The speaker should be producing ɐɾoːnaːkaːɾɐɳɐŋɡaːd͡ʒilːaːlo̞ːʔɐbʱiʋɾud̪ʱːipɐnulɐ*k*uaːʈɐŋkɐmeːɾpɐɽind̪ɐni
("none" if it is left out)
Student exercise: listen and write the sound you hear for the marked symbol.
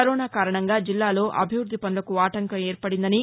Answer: k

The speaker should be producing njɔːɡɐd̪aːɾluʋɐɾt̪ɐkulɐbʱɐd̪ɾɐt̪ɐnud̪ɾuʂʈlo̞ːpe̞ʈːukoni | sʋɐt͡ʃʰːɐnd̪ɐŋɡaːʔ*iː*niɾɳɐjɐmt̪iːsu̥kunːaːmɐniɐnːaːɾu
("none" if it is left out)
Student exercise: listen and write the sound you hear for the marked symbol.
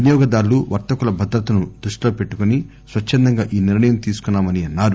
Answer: iː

